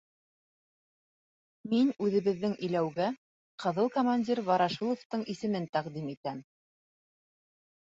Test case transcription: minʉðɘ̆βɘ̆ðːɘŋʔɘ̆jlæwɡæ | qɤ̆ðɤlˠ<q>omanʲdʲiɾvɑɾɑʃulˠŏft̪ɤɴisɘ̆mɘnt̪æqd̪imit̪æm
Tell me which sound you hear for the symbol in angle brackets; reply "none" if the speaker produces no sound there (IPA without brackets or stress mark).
k